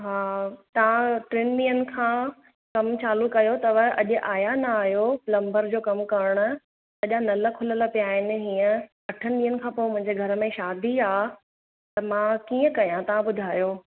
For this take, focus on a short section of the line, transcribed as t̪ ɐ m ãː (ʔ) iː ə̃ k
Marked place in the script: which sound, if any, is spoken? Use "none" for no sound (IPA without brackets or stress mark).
k